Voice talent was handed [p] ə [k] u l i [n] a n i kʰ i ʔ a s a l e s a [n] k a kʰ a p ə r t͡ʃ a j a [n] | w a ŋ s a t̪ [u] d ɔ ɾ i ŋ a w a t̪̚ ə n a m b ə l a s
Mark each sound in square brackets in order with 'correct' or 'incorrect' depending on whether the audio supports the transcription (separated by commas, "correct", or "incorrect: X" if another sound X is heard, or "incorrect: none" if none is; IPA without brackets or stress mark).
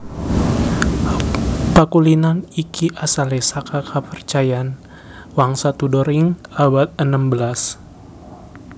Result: correct, correct, correct, incorrect: none, correct, correct